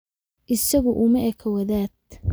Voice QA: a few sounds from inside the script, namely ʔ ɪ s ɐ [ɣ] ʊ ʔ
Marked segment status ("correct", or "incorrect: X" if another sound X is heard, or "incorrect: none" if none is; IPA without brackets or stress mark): correct